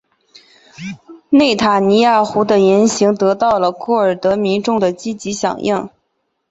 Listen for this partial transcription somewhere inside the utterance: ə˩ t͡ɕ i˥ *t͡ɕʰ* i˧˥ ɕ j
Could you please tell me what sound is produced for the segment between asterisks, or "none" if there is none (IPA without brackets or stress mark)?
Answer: t͡ɕ